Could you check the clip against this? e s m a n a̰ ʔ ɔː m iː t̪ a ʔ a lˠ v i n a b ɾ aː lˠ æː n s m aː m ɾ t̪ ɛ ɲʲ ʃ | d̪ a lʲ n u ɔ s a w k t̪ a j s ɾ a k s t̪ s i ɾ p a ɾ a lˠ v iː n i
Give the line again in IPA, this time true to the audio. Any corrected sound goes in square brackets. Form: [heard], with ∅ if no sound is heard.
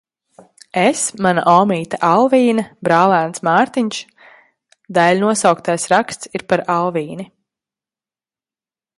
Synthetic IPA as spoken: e s m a n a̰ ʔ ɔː m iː t̪ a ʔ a lˠ v [iː] n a b ɾ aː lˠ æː n s m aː [∅] ɾ t̪ [i] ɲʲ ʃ | d̪ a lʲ n u ɔ s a w k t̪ a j s ɾ a k s t̪ s i ɾ p a ɾ a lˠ v iː n i